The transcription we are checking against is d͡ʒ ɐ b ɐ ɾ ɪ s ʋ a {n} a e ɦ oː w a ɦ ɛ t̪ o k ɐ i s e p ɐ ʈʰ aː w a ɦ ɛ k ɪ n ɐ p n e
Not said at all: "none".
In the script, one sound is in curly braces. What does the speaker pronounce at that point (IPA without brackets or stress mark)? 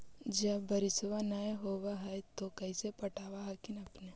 n